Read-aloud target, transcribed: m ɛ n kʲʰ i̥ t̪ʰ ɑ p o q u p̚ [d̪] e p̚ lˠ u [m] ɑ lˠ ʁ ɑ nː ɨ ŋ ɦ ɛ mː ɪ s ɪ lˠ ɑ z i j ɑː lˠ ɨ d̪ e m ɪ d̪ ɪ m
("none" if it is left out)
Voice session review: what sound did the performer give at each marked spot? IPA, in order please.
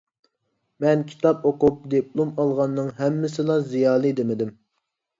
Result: d̪, m

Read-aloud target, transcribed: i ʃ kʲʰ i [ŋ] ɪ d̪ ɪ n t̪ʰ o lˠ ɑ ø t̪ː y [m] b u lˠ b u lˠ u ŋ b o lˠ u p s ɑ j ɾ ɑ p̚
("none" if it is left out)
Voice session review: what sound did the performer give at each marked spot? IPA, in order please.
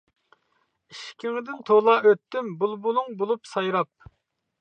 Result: ŋ, m

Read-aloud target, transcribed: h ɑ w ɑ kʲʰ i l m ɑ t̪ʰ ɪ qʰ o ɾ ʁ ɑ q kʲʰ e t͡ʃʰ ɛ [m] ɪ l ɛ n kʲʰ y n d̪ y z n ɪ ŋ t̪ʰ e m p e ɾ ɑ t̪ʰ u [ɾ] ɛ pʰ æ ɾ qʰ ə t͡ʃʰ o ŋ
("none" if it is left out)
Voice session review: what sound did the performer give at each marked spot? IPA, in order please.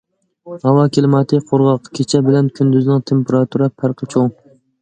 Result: b, ɾ

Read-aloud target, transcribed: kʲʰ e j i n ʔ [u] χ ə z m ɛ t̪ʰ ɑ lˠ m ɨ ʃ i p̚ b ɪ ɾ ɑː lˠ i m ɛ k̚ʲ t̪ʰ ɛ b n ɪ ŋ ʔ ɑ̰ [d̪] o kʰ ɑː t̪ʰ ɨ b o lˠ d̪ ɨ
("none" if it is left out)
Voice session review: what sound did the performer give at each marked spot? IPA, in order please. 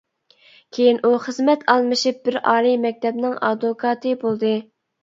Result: u, d̪

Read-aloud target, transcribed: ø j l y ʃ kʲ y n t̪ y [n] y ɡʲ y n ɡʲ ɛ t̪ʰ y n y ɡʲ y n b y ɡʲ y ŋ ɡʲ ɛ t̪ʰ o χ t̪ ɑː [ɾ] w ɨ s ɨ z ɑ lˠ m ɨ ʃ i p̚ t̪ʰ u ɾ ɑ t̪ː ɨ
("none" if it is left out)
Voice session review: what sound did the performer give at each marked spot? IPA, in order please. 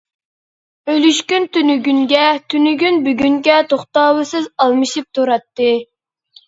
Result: n, none

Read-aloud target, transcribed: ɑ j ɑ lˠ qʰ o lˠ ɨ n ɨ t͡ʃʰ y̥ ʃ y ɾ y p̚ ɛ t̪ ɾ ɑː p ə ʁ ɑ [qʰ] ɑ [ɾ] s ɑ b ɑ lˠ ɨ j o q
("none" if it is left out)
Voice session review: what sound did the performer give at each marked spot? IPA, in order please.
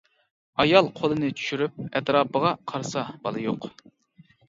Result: qʰ, ɾ

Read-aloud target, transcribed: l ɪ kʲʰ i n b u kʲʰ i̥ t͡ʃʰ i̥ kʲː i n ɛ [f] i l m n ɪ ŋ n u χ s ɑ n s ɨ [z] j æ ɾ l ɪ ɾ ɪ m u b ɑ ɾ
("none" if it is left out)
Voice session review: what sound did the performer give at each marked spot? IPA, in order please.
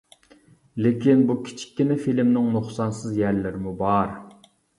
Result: f, z

